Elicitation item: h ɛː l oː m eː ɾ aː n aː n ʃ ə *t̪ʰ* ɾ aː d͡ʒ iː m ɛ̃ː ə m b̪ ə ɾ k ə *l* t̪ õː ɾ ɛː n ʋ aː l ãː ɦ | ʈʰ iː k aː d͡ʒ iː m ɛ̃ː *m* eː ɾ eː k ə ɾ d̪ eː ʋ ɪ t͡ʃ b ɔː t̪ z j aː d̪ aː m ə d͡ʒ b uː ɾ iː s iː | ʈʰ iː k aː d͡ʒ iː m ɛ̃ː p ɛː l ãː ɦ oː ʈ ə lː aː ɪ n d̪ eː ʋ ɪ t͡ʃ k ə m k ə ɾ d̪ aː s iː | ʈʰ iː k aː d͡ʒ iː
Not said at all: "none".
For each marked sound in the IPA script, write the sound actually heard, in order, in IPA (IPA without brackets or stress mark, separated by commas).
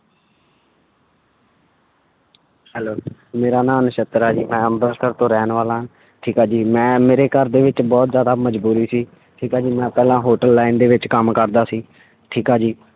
t̪, ɾ, m